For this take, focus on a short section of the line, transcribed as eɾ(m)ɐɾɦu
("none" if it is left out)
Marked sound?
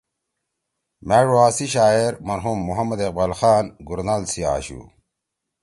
m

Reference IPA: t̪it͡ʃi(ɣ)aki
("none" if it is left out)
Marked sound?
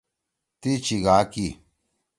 ɣ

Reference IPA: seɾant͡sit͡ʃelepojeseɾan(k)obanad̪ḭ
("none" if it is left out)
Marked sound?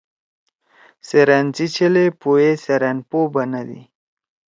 p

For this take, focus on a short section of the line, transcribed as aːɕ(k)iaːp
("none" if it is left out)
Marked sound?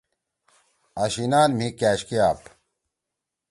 k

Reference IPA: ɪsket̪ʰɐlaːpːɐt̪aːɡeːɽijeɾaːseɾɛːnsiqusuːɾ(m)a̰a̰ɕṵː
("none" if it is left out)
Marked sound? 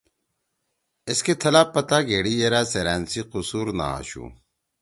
n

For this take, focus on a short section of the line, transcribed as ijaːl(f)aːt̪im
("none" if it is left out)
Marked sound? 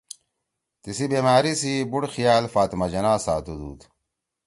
f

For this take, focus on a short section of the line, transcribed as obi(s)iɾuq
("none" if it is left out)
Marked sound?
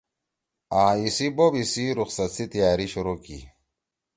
s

